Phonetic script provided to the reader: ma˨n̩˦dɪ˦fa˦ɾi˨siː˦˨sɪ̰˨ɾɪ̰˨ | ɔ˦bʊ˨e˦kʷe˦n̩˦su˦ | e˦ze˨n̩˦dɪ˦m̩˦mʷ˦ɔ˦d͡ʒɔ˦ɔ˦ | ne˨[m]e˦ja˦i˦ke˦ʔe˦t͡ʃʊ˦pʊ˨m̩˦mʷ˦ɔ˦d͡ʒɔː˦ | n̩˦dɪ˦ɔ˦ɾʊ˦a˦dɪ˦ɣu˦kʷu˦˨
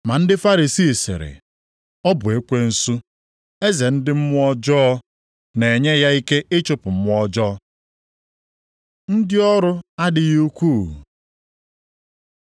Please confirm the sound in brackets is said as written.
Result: no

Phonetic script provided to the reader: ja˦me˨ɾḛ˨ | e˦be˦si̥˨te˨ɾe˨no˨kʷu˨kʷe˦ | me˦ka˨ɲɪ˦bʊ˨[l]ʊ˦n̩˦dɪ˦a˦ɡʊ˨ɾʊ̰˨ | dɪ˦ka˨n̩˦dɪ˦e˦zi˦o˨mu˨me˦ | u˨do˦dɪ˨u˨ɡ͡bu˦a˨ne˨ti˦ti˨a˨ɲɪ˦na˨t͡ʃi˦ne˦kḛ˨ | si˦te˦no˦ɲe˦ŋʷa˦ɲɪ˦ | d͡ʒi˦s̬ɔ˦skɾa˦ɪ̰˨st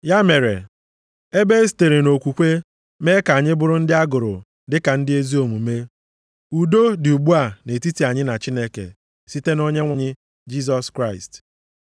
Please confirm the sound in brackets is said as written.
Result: no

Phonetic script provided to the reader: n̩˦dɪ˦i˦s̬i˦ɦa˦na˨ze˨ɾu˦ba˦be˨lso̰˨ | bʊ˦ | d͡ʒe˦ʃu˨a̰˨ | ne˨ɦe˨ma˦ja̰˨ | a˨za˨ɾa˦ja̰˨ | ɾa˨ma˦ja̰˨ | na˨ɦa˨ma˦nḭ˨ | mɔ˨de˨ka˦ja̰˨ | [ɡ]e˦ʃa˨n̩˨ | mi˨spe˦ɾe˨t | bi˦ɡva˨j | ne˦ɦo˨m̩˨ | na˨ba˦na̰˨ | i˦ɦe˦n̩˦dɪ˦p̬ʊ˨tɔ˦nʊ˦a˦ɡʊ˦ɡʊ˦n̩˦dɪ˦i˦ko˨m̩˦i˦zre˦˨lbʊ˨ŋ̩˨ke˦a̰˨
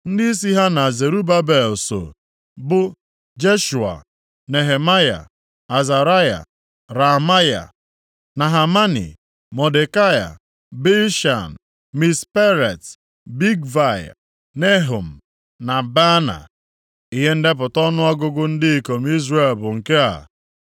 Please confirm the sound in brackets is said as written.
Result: no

